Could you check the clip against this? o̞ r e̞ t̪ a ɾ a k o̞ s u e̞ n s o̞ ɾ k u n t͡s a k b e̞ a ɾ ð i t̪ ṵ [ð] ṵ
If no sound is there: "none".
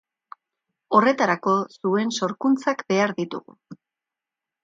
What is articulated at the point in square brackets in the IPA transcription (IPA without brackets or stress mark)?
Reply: ɣ